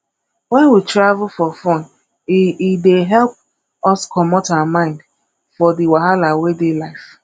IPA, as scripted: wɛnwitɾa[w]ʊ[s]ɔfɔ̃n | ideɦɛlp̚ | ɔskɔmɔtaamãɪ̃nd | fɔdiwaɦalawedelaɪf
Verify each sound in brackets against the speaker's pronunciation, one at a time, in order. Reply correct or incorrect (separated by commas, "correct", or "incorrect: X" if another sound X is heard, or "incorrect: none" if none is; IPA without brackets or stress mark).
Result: incorrect: v, incorrect: f